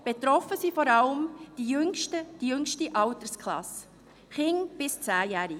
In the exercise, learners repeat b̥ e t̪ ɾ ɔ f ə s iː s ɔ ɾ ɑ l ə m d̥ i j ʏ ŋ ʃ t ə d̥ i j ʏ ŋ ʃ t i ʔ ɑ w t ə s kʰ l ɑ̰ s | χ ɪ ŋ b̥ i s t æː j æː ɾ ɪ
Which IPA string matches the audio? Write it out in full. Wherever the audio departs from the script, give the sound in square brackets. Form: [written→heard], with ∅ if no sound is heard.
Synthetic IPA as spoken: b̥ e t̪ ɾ ɔ f ə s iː [s→f] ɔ ɾ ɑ l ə m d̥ i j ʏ ŋ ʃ t ə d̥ i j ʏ ŋ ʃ t i ʔ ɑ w t ə s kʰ l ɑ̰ s | χ ɪ ŋ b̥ [i→ɪ] s [t→t͡s] æː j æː ɾ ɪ